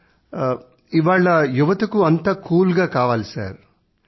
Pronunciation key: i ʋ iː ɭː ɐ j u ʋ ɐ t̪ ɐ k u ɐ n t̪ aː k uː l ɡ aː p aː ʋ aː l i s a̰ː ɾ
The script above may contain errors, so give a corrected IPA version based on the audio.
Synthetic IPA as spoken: i ʋ aː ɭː ɐ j u ʋ ɐ t̪ ɐ k u ɐ n t̪ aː k uː l ɡ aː k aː ʋ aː l i s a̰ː ɾ